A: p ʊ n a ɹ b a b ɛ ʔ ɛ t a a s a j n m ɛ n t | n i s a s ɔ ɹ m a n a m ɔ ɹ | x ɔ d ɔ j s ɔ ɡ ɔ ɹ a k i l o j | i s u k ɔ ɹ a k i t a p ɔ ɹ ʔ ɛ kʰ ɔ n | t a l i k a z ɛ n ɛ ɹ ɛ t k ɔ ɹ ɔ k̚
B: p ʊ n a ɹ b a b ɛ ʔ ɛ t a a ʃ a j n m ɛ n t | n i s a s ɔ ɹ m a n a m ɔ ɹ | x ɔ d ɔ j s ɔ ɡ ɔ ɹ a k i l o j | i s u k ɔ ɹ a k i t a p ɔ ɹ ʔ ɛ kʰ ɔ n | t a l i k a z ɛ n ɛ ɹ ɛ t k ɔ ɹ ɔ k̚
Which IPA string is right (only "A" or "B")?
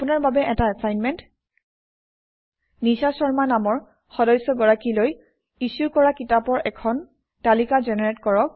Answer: A